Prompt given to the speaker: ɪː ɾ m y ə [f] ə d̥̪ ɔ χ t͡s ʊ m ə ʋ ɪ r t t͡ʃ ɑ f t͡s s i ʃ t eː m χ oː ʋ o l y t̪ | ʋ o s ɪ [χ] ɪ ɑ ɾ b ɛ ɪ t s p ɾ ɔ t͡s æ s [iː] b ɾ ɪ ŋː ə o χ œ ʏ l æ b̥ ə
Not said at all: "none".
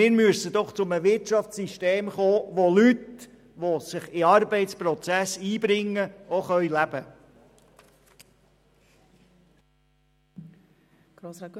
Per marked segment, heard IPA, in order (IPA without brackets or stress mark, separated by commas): s, χ, iː